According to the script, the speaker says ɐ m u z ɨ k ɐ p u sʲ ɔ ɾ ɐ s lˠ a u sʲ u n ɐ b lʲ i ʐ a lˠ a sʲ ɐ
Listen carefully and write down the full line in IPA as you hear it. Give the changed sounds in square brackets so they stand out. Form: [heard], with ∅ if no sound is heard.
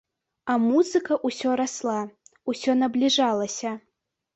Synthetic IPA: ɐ m u z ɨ k ɐ [ʔ] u sʲ ɔ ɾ [a] s lˠ a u sʲ [ɔ] n ɐ b lʲ i ʐ a lˠ [ɐ] sʲ ɐ

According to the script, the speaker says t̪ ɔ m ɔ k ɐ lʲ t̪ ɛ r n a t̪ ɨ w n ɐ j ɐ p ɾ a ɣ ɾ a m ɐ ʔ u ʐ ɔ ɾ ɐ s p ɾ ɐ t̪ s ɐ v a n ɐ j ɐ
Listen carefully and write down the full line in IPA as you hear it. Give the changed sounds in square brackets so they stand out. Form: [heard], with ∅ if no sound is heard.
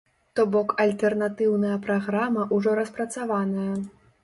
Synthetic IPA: t̪ ɔ [b] ɔ k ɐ lʲ t̪ ɛ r n a t̪ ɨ w n ɐ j ɐ p ɾ a ɣ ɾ a m ɐ ʔ u ʐ ɔ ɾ ɐ s p ɾ ɐ t̪ s [a] v a n ɐ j ɐ

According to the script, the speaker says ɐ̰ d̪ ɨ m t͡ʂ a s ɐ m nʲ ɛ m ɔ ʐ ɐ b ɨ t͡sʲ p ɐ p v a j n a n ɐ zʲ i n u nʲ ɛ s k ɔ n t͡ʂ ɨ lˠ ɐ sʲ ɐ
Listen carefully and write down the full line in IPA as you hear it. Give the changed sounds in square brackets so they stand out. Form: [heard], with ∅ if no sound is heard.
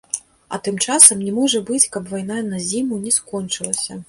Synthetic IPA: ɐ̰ [t̪] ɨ m t͡ʂ a s ɐ m nʲ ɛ m ɔ ʐ ɐ b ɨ t͡sʲ [k] ɐ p v a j n a n ɐ zʲ i [m] u nʲ ɛ s k ɔ n t͡ʂ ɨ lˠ ɐ sʲ ɐ

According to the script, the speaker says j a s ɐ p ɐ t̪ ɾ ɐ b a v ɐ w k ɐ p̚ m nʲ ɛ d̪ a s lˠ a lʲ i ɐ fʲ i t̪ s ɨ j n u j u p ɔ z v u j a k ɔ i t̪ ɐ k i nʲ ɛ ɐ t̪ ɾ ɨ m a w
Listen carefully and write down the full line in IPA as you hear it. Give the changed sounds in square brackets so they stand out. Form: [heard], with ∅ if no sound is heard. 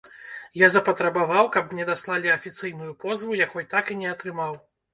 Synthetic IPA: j a [z] ɐ p ɐ t̪ ɾ ɐ b a v [a] w k ɐ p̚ m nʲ ɛ d̪ a s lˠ a lʲ i ɐ fʲ i t̪ s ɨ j n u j u p ɔ z v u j a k ɔ [j] t̪ [a] k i nʲ ɛ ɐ t̪ ɾ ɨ m a w

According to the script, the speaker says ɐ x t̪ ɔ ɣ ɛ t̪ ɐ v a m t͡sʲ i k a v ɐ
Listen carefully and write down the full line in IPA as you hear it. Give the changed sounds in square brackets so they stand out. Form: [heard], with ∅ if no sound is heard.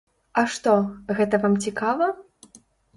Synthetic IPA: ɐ [ʂ] t̪ ɔ ɣ ɛ t̪ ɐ v a m t͡sʲ i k a v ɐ

